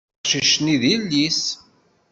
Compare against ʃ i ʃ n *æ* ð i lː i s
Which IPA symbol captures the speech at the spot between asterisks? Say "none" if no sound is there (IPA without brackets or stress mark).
i